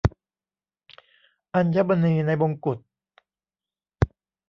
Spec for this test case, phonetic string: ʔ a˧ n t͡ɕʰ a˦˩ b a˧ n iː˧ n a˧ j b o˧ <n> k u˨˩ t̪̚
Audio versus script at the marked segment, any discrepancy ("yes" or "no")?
yes